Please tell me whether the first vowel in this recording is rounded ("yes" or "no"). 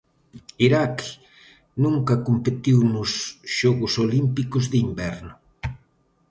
no